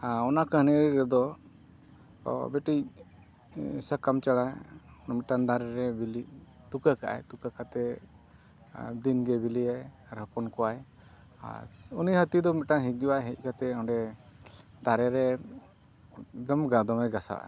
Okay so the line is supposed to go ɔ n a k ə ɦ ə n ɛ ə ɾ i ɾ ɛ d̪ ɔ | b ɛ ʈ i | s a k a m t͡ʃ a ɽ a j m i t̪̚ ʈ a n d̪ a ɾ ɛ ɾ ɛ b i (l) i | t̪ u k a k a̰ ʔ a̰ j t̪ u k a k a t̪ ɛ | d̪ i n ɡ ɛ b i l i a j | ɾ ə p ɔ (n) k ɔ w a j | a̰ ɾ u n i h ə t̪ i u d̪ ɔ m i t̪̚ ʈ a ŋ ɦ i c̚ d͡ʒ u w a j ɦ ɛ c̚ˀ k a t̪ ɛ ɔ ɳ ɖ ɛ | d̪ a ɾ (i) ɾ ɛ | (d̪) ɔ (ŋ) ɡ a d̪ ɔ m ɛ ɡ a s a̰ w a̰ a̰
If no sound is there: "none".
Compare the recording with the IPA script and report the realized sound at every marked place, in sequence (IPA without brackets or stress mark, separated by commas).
l, n, ɛ, d̪, m